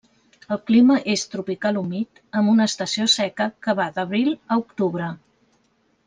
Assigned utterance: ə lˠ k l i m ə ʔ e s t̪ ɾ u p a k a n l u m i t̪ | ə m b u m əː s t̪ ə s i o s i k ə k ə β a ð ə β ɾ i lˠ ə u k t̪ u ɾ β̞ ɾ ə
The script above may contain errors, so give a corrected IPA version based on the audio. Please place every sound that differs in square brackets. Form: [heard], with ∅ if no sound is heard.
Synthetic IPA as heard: ə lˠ k l i m ə ʔ e s t̪ ɾ u p [i] k a [∅] l u m i t̪ | ə m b u [n] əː s t̪ ə s i o s [ɛ] k ə k ə β a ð ə β ɾ i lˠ ə u k t̪ u [∅] β̞ ɾ ə